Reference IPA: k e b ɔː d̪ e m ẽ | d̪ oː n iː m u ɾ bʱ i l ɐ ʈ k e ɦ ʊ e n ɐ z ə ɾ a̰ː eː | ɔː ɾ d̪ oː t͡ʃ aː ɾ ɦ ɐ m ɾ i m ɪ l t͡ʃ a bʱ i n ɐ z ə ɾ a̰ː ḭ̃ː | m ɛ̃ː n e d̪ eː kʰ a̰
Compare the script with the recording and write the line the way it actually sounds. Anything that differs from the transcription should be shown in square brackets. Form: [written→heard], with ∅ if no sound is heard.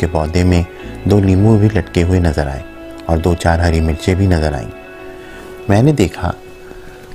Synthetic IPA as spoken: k e b ɔː d̪ e m ẽ | d̪ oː n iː m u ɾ bʱ i l ɐ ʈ k e ɦ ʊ e n ɐ z ə ɾ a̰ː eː | ɔː ɾ d̪ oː t͡ʃ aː ɾ ɦ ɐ [m→∅] ɾ i m ɪ l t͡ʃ [a→e] bʱ i n ɐ z ə ɾ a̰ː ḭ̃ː | m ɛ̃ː n e d̪ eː kʰ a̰